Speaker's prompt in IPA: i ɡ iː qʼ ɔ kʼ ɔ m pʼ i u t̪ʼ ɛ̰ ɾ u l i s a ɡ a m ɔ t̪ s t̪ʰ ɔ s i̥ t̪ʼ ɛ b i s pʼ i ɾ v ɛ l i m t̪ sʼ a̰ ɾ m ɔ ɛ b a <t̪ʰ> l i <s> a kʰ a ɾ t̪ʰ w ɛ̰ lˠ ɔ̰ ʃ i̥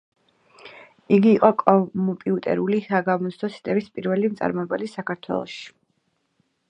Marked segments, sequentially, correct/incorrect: incorrect: none, correct

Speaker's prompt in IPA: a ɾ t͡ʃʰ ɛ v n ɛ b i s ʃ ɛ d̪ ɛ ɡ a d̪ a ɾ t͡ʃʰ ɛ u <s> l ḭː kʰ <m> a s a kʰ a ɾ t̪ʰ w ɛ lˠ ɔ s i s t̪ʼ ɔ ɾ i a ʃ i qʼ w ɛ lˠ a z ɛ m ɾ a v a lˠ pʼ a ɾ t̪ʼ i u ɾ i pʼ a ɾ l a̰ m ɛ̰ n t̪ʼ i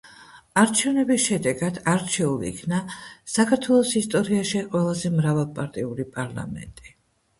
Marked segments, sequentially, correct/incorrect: incorrect: none, incorrect: n

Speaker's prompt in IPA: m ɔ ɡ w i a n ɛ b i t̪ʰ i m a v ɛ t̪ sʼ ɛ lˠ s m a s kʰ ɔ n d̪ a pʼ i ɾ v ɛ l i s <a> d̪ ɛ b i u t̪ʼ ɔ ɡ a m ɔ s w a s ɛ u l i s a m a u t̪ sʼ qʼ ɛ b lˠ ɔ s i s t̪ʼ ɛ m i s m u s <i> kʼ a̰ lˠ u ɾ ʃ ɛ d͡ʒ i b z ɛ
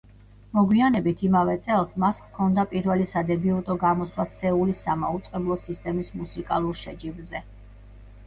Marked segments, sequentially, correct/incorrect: correct, correct

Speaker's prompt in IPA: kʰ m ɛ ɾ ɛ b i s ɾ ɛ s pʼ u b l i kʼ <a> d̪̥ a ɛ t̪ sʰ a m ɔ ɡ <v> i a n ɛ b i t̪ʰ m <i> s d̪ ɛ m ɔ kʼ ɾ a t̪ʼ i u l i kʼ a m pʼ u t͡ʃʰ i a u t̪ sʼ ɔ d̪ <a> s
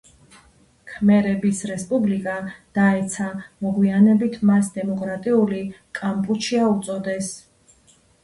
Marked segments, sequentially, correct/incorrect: correct, incorrect: w, incorrect: a, incorrect: ɛ

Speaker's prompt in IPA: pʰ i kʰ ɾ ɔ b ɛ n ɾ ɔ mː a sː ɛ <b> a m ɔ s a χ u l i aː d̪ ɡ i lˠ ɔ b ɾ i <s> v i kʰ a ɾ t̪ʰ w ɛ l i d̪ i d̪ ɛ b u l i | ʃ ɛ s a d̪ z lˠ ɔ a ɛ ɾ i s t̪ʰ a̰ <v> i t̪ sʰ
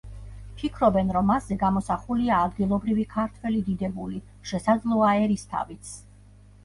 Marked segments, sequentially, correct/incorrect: incorrect: ɡ, incorrect: none, correct

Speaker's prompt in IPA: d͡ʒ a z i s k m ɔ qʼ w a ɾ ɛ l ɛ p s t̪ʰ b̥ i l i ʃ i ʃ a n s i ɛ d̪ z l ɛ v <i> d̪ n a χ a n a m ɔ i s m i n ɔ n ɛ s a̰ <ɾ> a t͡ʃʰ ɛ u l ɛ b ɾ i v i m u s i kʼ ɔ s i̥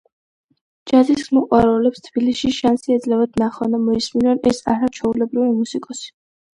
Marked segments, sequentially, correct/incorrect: incorrect: a, correct

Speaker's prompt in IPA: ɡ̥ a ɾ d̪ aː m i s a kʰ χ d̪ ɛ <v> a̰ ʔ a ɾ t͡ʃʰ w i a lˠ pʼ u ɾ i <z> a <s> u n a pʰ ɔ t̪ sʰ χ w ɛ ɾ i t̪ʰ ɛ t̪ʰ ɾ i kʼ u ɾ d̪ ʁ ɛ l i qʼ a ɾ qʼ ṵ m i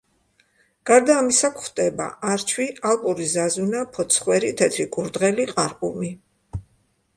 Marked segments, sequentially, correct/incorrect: incorrect: b, correct, incorrect: z

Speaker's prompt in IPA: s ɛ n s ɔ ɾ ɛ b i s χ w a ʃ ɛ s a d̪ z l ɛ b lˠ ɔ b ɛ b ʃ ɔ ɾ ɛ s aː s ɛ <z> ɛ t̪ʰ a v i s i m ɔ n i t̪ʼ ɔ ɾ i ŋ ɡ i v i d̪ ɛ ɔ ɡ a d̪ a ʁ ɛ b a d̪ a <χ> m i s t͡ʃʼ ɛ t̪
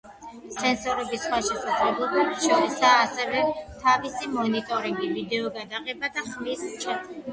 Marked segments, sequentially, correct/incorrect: incorrect: v, correct

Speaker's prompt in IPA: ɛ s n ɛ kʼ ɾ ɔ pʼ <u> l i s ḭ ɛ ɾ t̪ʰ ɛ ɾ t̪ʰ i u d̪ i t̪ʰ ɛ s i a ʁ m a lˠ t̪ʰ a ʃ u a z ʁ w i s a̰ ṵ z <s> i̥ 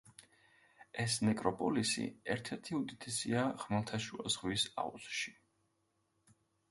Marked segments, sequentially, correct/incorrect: incorrect: ɔ, incorrect: ʃ

